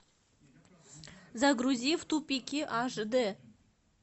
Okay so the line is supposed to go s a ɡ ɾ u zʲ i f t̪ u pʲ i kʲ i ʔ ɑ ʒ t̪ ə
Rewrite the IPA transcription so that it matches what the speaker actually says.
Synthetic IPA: z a ɡ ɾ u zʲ i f t̪ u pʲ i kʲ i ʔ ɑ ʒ d̪ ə

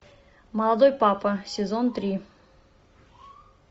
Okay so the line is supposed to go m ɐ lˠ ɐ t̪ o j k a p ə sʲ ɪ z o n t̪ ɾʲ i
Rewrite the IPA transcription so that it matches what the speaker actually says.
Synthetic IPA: m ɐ lˠ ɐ d̪ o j p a p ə sʲ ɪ z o n t̪ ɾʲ i

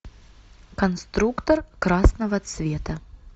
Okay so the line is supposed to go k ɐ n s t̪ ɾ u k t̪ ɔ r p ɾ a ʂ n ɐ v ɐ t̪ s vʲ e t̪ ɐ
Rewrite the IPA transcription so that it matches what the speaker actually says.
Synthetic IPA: k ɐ n s t̪ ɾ u k t̪ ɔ r k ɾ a s n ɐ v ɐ t̪ s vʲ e t̪ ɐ

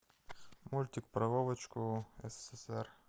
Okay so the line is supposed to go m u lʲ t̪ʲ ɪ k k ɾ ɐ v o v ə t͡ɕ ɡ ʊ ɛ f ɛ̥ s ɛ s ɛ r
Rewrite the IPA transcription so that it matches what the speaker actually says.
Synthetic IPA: m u lʲ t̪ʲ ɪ k p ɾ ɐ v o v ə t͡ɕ k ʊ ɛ s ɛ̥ s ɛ s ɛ r

